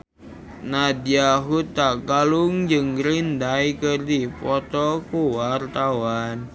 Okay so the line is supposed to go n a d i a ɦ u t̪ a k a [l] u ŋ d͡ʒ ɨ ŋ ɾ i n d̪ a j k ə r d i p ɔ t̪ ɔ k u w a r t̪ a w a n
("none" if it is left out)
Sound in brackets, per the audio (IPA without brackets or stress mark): l